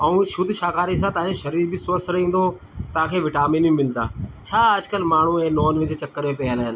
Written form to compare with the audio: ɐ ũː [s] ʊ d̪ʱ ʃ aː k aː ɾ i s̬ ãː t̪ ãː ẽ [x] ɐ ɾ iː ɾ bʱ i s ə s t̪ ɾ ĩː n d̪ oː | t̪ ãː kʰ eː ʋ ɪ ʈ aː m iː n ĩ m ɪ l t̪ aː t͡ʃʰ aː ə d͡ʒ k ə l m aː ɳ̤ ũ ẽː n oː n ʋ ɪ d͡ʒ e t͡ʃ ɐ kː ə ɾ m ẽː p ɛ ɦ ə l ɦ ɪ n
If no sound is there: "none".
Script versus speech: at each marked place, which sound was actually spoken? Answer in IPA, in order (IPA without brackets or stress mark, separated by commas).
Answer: ʃ, ʃ